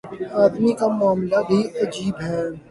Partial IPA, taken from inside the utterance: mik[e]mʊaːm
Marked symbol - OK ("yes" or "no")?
no